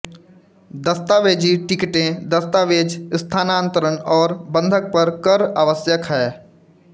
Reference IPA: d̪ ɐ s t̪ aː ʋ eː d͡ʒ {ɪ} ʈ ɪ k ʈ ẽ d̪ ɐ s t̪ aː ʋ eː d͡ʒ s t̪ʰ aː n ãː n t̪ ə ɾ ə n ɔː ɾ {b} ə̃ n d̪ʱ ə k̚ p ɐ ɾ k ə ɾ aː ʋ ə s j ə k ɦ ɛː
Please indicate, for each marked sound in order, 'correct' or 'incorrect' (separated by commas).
incorrect, correct